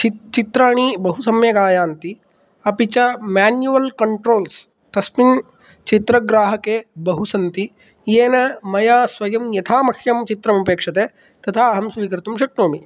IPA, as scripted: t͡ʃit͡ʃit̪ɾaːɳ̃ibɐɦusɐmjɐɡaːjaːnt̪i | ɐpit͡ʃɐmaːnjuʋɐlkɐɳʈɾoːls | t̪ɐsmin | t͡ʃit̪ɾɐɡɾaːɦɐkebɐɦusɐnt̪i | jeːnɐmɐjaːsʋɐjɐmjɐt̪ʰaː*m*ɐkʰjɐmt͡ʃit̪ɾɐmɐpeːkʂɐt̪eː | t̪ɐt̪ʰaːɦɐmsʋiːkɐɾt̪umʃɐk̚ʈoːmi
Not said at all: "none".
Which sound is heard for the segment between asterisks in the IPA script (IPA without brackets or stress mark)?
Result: m